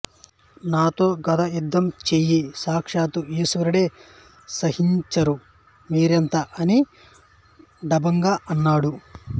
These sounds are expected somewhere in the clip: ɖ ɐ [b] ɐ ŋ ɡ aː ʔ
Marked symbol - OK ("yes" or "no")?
yes